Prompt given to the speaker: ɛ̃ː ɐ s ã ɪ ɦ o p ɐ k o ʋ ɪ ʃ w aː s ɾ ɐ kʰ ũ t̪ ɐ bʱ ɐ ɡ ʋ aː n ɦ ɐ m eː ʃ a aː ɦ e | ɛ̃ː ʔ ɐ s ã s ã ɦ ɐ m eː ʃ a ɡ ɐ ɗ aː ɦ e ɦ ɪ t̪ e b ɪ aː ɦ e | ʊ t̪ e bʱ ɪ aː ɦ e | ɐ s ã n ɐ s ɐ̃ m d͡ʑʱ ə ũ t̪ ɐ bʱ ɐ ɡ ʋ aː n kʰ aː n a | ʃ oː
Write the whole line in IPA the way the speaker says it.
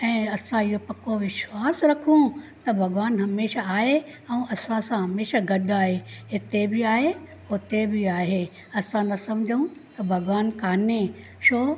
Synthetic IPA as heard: ɛ̃ː ɐ s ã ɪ ɦ o p ɐ k o ʋ ɪ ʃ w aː s ɾ ɐ kʰ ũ t̪ ɐ bʱ ɐ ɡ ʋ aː n ɦ ɐ m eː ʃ a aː ɦ e | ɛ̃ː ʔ ɐ s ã s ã ɦ ɐ m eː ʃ a ɡ ɐ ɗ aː ɦ e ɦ ɪ t̪ e b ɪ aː ɦ e | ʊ t̪ e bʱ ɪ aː ɦ e | ɐ s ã n ɐ s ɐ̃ m d͡ʑʱ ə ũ t̪ ɐ bʱ ɐ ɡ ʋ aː n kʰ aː n e | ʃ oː